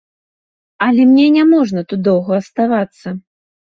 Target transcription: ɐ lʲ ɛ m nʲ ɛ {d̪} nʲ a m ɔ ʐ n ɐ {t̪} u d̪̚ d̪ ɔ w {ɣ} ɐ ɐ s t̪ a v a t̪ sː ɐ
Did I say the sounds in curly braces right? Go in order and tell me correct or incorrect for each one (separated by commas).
incorrect, correct, correct